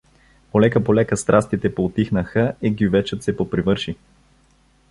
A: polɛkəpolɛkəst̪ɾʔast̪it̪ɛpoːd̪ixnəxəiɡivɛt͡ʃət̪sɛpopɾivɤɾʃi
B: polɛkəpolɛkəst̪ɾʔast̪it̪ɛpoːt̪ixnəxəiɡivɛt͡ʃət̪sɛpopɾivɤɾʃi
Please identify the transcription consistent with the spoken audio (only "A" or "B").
B